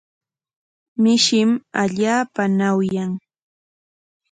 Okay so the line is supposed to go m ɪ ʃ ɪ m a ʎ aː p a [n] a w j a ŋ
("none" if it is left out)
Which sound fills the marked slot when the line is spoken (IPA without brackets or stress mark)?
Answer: n